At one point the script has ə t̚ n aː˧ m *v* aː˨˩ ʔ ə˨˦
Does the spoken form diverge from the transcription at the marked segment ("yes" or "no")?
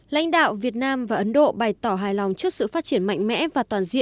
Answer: no